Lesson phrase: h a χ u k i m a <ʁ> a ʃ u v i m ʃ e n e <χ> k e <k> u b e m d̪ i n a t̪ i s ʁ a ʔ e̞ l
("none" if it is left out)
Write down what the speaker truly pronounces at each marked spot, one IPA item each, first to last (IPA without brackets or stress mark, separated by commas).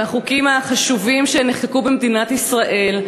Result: χ, χ, k